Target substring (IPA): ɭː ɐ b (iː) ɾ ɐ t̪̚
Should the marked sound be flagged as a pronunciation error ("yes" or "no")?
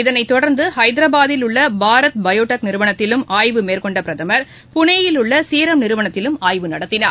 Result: yes